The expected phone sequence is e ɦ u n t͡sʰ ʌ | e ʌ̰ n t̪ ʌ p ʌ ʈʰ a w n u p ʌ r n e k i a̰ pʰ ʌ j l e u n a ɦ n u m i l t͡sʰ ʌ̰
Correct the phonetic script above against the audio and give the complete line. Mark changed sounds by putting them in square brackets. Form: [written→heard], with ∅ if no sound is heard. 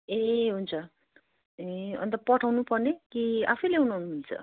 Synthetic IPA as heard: e ɦ u n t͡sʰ ʌ | e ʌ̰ n t̪ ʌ p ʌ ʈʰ a w n u p ʌ r n e k i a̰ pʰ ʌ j l e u n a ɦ n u m i l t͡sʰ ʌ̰